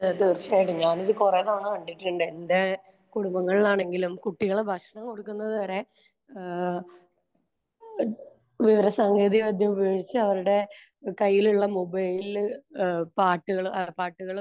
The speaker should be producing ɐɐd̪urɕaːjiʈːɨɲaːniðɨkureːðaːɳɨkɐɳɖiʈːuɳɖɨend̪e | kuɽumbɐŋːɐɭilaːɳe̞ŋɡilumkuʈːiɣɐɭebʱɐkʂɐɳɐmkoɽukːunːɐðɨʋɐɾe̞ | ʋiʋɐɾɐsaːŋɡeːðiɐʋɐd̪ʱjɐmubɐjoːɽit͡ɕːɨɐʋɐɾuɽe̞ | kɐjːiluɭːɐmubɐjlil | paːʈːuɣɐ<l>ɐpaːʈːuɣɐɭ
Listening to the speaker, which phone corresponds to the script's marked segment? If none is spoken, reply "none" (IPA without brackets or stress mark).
ɭ